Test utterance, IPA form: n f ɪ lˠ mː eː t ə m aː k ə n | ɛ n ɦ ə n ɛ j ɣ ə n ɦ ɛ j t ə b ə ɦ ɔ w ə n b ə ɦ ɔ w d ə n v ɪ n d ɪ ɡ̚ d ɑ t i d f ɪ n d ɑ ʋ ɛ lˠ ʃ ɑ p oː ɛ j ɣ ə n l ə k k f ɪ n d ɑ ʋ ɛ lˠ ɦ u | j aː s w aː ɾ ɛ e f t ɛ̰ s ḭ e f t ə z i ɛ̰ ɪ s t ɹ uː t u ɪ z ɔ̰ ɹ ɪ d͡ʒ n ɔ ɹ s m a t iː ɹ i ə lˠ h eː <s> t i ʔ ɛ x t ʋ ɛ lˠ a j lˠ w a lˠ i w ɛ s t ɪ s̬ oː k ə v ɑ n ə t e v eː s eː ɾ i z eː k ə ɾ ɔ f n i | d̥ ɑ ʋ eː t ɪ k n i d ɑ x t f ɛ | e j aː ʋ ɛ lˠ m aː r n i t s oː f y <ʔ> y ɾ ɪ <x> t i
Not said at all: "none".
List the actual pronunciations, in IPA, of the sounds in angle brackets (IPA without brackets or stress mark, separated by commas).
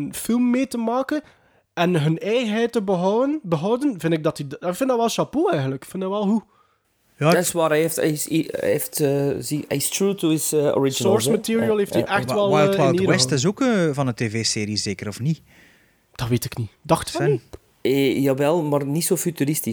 f, t, s